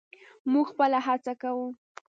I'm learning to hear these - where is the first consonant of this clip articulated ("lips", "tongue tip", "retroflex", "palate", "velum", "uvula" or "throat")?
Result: lips